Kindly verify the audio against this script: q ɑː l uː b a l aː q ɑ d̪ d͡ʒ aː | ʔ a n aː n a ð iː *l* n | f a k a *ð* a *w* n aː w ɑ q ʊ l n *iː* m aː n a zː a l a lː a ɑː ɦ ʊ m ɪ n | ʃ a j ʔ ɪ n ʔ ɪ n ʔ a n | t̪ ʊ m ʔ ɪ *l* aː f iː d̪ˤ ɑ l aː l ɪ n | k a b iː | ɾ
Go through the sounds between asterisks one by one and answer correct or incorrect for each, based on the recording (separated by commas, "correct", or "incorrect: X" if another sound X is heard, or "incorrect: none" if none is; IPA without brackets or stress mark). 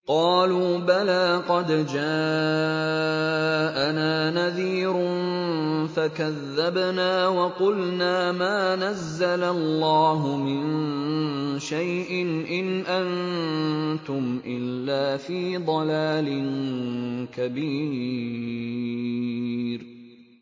incorrect: ɾ, incorrect: ðː, incorrect: b, incorrect: aː, incorrect: lː